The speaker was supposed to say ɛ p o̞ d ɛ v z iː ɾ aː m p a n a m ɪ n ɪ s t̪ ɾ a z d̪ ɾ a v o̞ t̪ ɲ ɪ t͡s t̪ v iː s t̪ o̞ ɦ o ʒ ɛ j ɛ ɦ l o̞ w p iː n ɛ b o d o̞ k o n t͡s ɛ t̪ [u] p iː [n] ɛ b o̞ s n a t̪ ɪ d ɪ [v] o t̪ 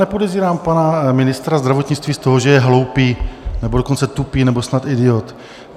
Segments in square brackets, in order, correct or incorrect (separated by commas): correct, correct, incorrect